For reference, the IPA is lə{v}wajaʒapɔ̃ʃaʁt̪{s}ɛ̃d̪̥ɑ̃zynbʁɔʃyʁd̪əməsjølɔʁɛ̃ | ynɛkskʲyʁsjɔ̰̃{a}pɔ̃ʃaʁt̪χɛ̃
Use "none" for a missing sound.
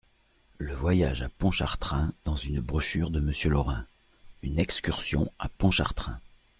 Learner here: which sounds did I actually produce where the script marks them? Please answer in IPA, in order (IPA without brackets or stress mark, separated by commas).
v, χ, a